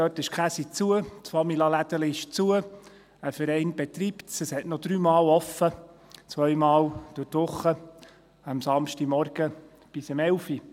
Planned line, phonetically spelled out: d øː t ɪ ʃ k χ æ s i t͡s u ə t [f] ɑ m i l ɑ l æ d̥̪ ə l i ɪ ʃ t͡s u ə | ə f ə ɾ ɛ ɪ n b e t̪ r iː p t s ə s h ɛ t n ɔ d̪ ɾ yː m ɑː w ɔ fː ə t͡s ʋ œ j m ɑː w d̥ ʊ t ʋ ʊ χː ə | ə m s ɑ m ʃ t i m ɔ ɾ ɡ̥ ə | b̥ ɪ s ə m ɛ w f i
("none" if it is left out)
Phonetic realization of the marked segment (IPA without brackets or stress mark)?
f